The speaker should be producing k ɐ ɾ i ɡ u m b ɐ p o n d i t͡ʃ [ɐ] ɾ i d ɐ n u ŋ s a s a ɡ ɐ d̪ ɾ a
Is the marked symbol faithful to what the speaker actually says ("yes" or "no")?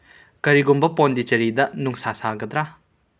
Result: yes